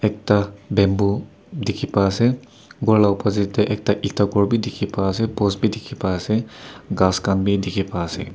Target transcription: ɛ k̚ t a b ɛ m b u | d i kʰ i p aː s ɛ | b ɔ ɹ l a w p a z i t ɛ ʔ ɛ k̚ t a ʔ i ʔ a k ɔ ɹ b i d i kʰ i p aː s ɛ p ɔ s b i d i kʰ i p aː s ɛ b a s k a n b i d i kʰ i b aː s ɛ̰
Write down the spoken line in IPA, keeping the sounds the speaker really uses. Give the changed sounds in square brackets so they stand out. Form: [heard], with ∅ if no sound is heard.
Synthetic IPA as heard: ɛ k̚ t a b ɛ m b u | d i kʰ i p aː s ɛ | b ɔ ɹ l a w p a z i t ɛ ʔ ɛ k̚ t a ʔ i [t] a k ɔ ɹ b i d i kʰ i p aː s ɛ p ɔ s b i d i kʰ i p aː s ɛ [ɡ] a s k a n b i d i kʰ i [p] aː s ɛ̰